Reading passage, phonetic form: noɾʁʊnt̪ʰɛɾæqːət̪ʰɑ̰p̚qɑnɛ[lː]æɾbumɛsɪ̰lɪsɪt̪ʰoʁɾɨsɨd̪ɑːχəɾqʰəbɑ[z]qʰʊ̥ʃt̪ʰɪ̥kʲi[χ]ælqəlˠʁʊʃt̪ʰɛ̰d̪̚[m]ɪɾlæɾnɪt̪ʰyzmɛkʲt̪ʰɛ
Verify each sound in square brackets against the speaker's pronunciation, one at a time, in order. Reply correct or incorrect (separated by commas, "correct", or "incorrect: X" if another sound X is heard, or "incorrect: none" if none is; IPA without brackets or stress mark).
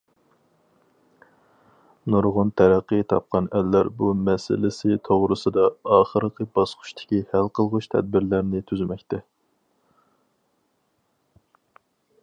correct, incorrect: s, incorrect: h, incorrect: b